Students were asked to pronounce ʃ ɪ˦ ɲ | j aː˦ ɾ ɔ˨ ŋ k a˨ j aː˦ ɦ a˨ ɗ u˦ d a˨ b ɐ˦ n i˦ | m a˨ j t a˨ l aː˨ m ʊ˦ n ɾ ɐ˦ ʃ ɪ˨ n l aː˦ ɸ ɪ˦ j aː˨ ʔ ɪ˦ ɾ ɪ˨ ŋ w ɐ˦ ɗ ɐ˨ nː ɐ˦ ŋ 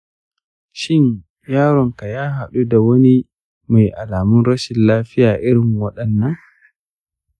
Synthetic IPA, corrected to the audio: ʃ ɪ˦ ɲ | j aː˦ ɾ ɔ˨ ŋ k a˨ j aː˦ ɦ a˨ ɗ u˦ d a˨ w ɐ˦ n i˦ | m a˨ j ʔ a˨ l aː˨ m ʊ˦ n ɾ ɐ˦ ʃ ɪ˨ n l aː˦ ɸ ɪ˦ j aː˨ ʔ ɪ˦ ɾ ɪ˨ ŋ w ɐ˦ ɗ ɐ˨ nː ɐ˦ ŋ

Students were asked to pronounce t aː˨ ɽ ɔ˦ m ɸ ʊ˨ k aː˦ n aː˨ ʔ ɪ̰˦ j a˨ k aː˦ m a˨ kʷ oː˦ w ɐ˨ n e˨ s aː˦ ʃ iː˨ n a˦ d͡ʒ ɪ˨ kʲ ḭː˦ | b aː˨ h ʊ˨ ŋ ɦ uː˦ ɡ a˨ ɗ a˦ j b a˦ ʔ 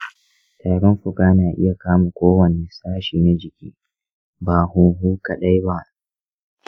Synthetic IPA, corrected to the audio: t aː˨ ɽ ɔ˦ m ɸ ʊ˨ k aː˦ n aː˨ ʔ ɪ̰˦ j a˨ k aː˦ m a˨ kʷ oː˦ w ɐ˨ n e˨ s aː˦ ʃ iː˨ n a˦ d͡ʒ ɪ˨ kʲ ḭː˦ | b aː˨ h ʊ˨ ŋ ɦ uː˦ k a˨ ɗ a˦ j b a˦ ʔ

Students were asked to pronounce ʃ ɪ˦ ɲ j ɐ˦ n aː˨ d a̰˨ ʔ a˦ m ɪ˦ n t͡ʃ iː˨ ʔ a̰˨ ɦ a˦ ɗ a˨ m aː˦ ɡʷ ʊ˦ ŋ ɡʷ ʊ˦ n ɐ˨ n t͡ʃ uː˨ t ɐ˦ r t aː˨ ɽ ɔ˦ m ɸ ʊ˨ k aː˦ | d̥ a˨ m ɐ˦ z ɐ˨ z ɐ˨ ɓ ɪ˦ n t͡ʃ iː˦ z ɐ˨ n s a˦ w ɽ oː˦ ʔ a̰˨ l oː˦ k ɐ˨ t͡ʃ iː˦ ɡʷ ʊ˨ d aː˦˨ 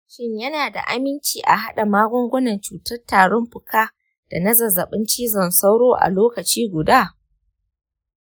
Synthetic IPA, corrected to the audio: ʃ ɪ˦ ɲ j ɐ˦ n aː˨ d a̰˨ ʔ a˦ m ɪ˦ n t͡ʃ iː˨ ʔ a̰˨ ɦ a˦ ɗ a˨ m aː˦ ɡʷ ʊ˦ ŋ ɡʷ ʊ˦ n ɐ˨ n t͡ʃ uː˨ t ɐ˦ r t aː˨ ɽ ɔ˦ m ɸ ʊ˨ k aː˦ | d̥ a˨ n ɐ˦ z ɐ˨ z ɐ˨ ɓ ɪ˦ n t͡ʃ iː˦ z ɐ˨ n s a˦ w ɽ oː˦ ʔ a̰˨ l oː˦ k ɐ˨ t͡ʃ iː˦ ɡʷ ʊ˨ d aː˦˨

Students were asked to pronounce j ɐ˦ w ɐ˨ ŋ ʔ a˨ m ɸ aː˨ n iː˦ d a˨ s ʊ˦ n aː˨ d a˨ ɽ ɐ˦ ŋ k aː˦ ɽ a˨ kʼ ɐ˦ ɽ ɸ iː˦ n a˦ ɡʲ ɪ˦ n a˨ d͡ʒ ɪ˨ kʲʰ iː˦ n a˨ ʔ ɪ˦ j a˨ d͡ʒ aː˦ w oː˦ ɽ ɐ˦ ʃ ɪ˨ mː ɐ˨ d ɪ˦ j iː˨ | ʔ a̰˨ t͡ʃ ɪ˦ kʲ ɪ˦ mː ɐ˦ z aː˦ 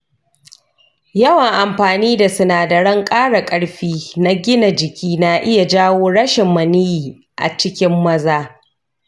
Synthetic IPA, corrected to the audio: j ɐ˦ w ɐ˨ ŋ ʔ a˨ m ɸ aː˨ n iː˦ d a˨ s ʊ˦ n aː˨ d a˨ ɽ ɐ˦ ŋ kʼ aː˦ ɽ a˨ kʼ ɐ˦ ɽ ɸ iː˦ n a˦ ɡʲ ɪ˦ n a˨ d͡ʒ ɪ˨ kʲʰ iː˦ n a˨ ʔ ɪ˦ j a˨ d͡ʒ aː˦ w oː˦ ɽ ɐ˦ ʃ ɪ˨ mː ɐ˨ n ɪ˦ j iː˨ | ʔ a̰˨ t͡ʃ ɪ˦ kʲ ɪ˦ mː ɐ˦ z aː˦

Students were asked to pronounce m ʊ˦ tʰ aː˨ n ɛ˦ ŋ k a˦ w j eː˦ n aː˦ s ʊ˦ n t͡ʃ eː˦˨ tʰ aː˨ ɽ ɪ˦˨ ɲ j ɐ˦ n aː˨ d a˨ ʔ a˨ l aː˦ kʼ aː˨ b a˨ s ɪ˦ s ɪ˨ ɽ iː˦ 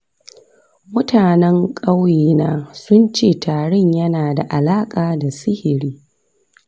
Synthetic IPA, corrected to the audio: m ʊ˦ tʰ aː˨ n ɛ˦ ŋ kʼ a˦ w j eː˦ n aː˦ s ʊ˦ n t͡ʃ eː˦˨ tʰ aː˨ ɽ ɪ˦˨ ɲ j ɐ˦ n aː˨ d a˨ ʔ a˨ l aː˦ kʼ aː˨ d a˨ s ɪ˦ h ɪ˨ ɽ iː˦

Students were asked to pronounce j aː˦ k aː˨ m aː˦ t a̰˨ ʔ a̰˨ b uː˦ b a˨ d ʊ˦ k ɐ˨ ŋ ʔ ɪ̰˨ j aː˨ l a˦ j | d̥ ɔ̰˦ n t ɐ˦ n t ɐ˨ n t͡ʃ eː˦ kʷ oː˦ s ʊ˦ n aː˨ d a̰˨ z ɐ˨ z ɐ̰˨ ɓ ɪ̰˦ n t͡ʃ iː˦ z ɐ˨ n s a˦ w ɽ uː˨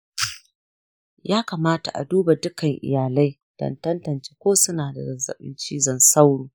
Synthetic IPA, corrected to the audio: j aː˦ k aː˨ m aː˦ t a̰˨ ʔ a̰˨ d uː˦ b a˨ d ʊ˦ k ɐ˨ ŋ ʔ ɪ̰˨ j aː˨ l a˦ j | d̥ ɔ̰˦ n t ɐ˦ n t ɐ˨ n t͡ʃ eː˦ kʷ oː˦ s ʊ˦ n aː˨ d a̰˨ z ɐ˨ z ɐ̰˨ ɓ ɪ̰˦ n t͡ʃ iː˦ z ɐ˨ n s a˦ w ɽ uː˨

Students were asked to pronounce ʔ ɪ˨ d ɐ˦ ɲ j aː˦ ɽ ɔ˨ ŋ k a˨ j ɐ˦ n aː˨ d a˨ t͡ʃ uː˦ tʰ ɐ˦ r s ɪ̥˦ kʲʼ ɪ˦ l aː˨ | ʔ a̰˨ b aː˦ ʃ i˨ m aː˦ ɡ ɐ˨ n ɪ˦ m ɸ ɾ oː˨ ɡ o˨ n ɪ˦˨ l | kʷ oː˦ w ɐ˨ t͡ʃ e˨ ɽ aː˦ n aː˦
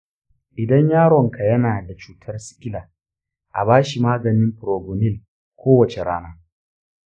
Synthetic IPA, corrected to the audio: ʔ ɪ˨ d ɐ˦ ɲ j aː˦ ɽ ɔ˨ ŋ k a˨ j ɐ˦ n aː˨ d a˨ t͡ʃ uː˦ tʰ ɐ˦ r s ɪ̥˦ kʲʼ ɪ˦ l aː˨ | ʔ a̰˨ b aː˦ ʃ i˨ m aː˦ ɡ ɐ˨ n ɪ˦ m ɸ ɾ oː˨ ɡ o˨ n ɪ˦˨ l | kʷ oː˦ w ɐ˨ t͡ʃ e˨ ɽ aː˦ n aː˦

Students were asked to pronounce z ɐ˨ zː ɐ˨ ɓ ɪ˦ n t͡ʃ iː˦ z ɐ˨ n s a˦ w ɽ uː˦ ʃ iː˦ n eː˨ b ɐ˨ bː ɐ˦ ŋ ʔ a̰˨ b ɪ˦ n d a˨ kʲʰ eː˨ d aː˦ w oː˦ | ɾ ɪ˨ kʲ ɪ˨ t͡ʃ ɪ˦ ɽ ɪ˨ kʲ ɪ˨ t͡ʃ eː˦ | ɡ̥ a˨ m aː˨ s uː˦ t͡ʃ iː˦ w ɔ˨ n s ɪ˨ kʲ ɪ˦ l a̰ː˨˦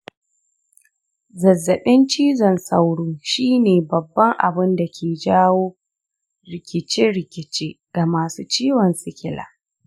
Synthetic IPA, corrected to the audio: z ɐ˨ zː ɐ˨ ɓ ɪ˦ n t͡ʃ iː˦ z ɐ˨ n s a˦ w ɽ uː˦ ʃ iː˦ n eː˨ b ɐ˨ bː ɐ˦ ŋ ʔ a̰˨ b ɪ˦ n d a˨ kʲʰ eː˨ d͡ʒ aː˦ w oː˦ | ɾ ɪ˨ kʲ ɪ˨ t͡ʃ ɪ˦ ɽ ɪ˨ kʲ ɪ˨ t͡ʃ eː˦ | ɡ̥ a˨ m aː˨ s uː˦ t͡ʃ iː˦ w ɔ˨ n s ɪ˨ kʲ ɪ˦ l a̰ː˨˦

